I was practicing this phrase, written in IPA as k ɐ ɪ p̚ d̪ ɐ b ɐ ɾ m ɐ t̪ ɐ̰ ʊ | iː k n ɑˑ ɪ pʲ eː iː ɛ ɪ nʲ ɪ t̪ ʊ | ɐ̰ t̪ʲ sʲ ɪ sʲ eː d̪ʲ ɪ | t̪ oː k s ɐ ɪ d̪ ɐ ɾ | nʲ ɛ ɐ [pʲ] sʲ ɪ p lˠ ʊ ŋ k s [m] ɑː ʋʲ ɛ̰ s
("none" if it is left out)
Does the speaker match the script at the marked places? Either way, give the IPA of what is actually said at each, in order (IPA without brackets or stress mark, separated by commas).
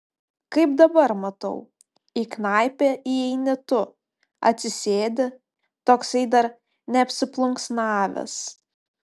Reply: pʲ, n